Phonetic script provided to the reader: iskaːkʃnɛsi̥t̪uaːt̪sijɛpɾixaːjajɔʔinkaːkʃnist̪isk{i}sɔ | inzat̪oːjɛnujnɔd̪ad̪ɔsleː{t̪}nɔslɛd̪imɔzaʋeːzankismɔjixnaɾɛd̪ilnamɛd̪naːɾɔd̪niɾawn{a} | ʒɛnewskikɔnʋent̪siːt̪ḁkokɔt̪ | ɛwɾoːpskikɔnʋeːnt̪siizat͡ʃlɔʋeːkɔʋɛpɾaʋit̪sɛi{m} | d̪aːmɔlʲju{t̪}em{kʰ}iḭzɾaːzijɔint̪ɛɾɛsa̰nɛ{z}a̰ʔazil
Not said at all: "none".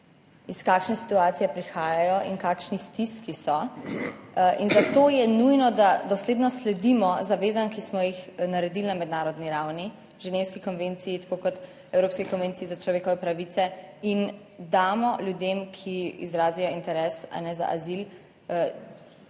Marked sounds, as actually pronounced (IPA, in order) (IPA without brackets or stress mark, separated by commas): i, d̪, i, n, d̪, kʰ, z